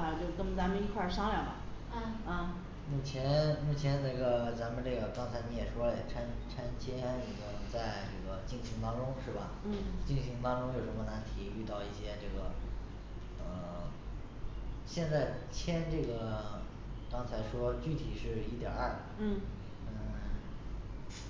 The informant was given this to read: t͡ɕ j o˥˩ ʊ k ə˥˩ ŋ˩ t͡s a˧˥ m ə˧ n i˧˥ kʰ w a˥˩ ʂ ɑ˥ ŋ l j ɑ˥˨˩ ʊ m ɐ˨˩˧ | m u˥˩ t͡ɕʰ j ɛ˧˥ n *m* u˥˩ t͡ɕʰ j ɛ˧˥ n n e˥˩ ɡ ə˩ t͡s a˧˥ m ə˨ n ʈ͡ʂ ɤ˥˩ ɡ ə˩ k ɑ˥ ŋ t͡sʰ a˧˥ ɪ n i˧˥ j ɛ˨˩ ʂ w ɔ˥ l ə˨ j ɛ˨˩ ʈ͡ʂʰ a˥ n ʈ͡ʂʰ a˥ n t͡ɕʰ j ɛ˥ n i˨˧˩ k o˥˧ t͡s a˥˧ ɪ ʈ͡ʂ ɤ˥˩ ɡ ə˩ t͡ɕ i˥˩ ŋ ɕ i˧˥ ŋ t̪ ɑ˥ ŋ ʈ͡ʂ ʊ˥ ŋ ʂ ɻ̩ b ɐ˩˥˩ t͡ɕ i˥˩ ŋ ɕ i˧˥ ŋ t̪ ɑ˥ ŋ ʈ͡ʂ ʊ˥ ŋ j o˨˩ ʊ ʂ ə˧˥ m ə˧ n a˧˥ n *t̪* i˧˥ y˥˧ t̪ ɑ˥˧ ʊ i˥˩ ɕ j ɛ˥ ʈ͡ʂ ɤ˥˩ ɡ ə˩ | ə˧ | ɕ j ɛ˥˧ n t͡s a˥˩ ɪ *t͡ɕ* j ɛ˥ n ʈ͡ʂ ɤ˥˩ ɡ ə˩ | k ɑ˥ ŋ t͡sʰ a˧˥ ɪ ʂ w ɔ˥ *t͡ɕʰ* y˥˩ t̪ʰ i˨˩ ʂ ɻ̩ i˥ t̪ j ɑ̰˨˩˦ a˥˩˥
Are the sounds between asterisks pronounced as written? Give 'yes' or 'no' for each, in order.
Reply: yes, no, no, no

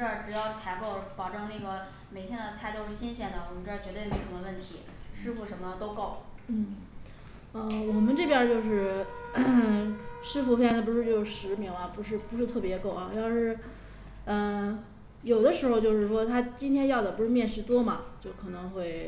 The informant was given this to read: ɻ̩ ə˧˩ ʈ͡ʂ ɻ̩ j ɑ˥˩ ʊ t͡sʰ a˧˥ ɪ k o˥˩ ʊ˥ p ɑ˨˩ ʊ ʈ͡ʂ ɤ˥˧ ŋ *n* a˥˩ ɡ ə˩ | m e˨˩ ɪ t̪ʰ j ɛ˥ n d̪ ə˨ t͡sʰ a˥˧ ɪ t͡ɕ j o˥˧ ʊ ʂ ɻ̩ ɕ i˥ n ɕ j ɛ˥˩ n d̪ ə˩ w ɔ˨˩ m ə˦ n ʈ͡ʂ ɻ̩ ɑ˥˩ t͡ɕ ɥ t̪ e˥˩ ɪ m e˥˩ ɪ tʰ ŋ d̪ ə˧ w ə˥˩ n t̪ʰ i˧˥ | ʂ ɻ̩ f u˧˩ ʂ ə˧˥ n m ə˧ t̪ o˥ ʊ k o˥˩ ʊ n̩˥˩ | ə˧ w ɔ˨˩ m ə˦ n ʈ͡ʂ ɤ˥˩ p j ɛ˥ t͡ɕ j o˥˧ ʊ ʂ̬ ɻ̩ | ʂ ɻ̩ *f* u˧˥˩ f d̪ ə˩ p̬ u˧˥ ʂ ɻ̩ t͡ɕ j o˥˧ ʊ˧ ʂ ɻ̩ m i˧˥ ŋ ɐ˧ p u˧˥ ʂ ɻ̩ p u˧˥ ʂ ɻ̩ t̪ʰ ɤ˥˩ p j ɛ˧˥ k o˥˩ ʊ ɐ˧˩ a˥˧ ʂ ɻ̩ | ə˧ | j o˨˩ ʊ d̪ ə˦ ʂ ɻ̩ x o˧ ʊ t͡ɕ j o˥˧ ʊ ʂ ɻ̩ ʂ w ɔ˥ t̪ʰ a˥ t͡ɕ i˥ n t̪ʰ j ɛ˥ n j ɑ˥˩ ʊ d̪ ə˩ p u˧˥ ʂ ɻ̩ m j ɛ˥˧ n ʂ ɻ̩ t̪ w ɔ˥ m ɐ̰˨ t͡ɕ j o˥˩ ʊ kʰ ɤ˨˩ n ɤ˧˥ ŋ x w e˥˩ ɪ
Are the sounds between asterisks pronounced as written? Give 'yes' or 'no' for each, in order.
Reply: yes, yes

